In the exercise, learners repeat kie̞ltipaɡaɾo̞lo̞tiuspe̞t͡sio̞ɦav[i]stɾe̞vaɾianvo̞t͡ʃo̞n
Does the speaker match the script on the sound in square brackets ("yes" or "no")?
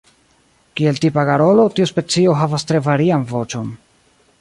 no